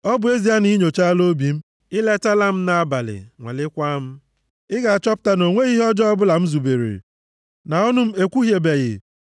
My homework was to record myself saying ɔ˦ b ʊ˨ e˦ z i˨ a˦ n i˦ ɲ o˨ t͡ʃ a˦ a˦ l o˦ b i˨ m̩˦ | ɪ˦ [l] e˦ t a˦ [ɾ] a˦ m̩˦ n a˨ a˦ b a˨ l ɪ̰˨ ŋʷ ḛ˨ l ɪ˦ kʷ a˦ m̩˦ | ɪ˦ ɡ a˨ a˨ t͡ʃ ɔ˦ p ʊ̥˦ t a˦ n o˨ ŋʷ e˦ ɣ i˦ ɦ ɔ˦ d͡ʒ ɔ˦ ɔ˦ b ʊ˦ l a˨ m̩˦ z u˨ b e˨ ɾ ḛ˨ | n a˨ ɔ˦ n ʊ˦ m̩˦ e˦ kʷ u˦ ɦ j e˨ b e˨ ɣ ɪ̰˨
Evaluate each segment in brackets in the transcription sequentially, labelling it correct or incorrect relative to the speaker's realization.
correct, incorrect

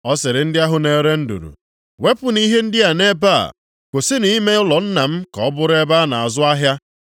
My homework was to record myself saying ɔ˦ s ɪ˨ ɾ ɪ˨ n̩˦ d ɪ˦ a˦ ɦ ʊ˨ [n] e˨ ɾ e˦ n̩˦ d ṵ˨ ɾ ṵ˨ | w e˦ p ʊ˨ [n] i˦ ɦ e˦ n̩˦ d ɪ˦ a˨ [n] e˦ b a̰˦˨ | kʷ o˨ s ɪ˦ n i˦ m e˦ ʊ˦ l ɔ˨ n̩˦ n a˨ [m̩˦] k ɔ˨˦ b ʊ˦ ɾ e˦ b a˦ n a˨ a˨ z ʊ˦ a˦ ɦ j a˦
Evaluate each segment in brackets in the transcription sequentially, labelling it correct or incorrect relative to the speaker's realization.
correct, correct, correct, correct

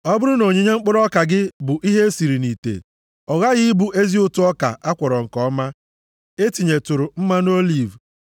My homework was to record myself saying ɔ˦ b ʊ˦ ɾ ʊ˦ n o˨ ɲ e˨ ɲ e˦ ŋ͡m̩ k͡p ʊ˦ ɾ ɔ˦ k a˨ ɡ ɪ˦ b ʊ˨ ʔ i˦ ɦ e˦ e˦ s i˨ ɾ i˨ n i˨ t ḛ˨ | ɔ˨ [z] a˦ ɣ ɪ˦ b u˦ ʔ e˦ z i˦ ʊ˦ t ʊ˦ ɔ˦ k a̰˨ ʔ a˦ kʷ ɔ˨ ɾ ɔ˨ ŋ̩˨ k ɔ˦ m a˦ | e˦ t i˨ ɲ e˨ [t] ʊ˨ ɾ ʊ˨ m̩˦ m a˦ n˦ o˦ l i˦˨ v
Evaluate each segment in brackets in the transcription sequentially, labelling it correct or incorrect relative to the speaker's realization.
incorrect, correct

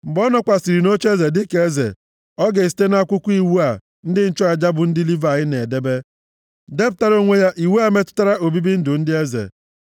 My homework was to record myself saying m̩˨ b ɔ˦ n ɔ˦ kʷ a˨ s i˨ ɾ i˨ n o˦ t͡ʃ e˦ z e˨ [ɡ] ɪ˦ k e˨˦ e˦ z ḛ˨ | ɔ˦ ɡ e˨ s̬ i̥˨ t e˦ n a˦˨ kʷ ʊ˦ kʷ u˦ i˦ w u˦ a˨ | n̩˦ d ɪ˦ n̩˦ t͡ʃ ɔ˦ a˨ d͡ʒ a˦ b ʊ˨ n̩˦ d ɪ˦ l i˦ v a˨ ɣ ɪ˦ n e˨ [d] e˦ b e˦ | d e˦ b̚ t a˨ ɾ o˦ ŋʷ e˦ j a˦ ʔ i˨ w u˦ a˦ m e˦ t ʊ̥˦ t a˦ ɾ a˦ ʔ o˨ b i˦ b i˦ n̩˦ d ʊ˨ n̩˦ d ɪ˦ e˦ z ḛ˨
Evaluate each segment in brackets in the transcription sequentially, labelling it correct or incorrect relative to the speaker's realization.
incorrect, correct

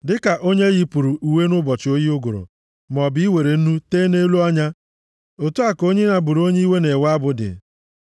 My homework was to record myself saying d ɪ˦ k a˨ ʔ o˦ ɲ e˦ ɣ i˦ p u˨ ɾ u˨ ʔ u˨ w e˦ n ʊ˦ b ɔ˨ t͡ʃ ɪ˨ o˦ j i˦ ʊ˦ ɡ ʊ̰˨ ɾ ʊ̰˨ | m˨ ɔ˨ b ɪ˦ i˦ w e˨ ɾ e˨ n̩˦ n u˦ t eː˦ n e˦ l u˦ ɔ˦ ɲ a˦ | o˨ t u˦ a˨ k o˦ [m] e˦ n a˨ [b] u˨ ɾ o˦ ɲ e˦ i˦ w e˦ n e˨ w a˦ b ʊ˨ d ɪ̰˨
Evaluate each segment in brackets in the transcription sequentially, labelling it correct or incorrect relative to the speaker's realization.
incorrect, correct

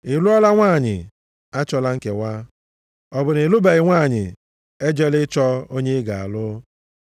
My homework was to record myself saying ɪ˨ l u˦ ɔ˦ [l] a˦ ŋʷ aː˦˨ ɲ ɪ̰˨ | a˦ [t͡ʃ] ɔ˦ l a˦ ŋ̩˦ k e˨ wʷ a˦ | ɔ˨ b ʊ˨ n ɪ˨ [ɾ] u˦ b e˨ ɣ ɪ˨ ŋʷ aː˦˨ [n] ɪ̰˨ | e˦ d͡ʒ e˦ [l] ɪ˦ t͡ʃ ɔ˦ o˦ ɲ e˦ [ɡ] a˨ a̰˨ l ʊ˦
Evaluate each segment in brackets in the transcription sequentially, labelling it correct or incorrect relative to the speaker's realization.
correct, correct, incorrect, incorrect, correct, correct

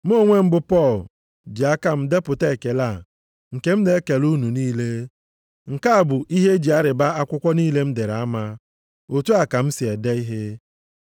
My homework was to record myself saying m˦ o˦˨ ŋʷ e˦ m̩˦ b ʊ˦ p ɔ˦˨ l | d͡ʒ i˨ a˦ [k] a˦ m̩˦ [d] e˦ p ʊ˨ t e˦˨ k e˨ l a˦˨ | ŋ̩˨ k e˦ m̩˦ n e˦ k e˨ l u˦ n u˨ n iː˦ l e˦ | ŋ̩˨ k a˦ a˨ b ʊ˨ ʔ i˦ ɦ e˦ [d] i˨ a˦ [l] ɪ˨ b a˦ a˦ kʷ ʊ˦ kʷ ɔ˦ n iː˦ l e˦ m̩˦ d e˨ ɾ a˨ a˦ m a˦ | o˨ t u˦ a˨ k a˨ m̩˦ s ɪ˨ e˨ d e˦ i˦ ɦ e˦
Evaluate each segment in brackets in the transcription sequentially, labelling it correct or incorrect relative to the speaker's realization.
correct, correct, incorrect, incorrect

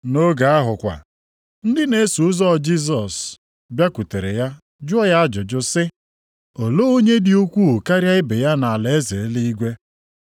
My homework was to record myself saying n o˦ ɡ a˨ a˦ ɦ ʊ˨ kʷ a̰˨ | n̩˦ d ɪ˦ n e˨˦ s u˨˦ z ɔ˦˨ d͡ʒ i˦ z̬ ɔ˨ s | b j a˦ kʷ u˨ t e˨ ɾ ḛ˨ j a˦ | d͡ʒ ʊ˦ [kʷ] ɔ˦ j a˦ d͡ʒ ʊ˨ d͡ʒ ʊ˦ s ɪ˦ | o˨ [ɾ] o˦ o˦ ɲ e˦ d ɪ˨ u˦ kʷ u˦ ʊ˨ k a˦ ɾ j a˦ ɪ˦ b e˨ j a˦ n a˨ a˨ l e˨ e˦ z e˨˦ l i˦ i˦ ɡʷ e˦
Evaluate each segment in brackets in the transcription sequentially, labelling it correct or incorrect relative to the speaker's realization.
incorrect, incorrect

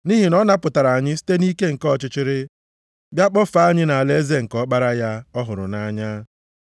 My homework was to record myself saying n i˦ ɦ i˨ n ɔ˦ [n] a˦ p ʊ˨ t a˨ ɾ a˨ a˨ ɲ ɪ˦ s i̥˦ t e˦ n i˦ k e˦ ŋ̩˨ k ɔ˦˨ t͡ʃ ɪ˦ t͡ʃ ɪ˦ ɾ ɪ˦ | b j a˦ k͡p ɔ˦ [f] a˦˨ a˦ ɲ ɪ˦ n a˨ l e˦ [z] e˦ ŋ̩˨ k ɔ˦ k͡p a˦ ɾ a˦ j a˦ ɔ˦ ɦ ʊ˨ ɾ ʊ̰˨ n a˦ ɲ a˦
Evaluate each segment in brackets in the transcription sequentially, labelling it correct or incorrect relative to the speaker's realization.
correct, correct, correct

